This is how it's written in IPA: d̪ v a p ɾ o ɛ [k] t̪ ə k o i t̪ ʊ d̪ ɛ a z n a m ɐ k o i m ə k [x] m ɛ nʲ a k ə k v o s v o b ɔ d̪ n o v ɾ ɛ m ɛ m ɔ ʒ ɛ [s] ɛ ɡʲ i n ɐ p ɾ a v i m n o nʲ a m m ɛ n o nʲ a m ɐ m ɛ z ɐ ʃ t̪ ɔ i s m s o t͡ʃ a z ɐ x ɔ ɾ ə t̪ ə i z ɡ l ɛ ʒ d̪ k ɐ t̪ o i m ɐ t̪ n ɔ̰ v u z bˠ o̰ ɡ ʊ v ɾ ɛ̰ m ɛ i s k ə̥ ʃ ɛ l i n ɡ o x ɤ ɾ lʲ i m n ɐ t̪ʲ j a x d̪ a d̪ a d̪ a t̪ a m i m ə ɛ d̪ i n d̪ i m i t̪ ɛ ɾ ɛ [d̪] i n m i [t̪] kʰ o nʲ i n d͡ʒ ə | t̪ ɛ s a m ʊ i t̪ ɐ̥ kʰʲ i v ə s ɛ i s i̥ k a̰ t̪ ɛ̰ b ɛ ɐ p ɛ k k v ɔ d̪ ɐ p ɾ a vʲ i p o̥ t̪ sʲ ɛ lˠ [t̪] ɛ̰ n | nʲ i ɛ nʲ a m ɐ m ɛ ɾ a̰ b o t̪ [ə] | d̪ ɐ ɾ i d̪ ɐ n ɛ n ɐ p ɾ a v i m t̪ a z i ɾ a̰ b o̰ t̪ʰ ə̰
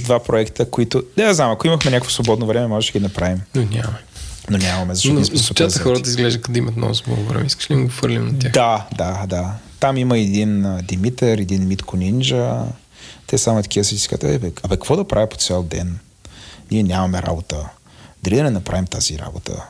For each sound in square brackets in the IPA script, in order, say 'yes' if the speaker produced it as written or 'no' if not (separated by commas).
yes, yes, no, yes, yes, no, yes